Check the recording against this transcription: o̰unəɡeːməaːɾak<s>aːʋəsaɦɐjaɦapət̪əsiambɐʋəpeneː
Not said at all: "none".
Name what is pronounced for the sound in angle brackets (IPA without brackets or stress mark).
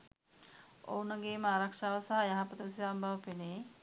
ʂ